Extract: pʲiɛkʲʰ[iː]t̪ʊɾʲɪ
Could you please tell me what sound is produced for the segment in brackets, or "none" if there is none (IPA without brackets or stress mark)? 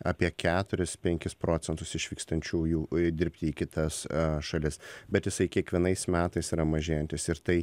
æː